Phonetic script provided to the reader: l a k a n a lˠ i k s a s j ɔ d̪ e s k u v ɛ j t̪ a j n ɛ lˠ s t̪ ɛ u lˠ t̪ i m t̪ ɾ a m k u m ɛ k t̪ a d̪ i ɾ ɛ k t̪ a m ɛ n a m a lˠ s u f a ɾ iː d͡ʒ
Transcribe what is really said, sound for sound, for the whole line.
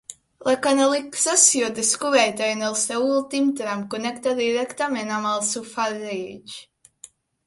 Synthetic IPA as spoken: l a k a n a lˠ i k s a s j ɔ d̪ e s k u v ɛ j t̪ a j n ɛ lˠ s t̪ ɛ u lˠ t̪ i m t̪ ɾ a m k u n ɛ k t̪ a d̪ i ɾ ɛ k t̪ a m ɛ n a m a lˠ s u f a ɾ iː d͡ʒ